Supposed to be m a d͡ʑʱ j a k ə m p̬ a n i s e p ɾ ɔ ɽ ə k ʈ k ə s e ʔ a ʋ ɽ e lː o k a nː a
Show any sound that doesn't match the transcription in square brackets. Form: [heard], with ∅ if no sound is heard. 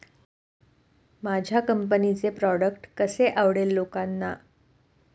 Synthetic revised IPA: m a d͡ʑʱ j a k ə m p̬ [ə] n i [t͡s] e p ɾ ɔ ɽ ə k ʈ k ə s e ʔ a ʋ ɽ e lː o k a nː a